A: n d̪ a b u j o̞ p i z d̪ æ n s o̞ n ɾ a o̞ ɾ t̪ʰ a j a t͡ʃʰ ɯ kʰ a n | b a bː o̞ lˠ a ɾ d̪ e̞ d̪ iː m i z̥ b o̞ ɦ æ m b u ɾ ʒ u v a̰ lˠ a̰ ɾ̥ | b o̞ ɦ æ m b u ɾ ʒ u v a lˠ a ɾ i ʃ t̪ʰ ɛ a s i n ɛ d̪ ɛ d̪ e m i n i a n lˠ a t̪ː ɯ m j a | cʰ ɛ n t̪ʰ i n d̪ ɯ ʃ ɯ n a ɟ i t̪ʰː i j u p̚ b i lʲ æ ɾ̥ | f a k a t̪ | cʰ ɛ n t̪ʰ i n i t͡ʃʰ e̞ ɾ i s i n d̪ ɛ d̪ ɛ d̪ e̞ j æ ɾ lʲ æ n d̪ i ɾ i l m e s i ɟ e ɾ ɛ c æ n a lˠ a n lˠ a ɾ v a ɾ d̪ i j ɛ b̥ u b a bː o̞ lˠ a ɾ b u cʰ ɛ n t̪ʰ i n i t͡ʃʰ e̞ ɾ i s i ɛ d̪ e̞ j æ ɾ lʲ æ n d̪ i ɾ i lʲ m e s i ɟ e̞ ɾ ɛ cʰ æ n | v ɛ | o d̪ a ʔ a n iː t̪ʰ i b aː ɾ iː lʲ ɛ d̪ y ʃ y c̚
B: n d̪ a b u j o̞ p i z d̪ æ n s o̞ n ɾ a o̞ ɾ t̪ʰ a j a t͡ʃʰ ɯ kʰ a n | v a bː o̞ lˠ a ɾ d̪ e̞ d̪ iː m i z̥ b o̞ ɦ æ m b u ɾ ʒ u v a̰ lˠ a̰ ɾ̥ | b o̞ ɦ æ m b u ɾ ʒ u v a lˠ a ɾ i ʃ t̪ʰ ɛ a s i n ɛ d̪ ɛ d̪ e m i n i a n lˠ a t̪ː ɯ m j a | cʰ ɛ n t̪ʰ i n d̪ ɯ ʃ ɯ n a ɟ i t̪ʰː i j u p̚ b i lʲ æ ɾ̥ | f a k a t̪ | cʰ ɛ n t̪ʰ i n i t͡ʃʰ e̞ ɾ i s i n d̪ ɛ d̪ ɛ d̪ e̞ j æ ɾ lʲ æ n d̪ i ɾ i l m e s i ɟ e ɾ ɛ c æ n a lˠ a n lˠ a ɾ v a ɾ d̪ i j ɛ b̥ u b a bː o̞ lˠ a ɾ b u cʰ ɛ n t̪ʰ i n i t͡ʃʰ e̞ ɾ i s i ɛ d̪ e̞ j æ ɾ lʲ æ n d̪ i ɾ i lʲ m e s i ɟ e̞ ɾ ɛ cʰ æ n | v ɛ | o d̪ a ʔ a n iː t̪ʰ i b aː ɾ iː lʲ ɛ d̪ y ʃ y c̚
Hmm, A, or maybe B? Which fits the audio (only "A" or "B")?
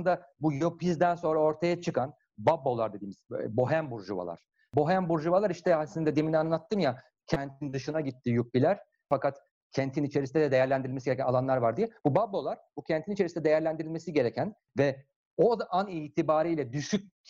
A